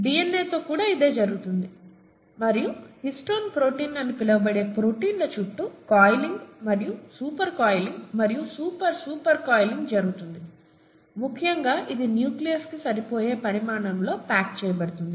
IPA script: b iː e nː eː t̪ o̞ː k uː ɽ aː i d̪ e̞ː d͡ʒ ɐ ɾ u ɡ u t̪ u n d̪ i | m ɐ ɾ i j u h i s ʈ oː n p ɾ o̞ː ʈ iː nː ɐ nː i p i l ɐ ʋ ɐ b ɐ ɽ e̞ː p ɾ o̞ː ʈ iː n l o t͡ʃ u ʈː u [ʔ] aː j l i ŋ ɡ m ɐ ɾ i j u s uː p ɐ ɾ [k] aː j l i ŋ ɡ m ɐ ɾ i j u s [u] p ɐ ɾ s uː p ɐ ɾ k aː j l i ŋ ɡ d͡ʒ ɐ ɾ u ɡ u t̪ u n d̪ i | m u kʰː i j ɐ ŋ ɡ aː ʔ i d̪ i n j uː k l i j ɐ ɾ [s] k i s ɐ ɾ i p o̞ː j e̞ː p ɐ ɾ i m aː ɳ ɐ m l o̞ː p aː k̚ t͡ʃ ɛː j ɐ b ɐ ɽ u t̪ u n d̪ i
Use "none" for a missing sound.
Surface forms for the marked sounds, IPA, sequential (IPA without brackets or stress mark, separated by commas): k, k, uː, s